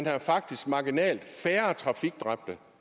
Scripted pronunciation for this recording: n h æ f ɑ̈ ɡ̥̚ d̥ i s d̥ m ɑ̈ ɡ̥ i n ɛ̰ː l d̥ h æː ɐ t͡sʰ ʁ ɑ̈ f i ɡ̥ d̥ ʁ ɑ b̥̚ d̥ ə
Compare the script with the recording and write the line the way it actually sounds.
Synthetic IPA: n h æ f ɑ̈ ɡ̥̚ d̥ i s ɡ̥ m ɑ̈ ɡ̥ i n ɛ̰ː l d̥ f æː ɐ t͡sʰ ʁ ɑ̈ f i ɡ̥ d̥ ʁ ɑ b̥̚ d̥ ə